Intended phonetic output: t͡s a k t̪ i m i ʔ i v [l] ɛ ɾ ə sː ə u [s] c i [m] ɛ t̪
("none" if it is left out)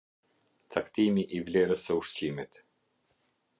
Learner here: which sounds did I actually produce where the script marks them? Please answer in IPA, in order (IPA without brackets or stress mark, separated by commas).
l, ʃ, m